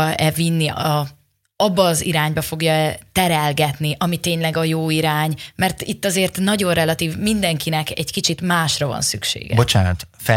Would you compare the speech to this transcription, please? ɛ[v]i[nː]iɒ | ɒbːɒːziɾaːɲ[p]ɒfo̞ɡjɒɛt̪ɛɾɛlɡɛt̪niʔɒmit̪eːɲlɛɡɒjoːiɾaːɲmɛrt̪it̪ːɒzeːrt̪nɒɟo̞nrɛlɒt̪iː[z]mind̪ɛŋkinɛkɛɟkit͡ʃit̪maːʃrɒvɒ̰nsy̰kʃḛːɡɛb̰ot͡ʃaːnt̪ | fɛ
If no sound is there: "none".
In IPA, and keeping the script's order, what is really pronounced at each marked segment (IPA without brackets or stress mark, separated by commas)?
v, nː, b, v